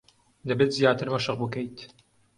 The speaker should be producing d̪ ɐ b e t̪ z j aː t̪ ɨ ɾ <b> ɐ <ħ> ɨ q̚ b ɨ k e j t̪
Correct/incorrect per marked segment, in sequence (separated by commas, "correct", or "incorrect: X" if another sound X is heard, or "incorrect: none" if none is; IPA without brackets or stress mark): incorrect: m, incorrect: ʃ